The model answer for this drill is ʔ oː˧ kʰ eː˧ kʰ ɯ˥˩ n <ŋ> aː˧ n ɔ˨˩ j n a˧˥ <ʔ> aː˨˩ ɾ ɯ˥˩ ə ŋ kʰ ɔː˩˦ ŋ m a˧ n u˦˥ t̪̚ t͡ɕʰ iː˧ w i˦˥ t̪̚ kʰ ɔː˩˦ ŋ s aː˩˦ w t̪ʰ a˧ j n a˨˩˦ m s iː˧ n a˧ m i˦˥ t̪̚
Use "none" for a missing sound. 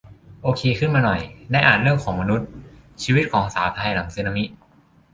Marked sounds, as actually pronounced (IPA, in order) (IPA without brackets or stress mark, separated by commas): m, ʔ